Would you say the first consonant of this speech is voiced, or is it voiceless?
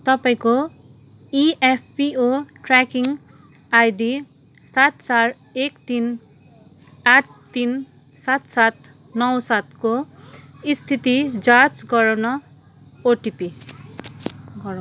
voiceless